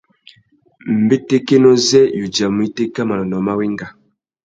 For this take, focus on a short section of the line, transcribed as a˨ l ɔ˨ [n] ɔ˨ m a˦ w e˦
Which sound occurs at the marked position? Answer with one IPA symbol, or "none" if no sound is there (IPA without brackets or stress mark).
n